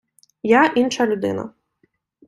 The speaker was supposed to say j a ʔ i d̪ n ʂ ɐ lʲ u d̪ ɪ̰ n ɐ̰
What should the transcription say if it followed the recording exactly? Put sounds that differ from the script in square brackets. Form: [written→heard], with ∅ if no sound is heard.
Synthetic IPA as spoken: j a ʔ i [d̪→∅] n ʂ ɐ lʲ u d̪ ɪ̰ n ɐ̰